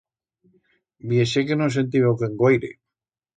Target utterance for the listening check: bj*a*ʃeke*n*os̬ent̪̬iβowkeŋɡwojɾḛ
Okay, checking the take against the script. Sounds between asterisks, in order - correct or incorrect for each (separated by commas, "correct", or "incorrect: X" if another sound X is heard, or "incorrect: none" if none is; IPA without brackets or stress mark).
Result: incorrect: e, correct